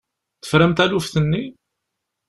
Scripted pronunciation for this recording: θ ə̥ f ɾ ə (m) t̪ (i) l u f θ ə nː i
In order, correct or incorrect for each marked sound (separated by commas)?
correct, incorrect